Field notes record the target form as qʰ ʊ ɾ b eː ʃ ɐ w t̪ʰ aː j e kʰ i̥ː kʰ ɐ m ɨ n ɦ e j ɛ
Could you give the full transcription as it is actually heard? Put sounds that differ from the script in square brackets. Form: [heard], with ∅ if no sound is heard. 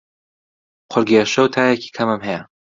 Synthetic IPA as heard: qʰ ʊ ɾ [ɡ] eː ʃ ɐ w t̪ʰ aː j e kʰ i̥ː kʰ ɐ m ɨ [m] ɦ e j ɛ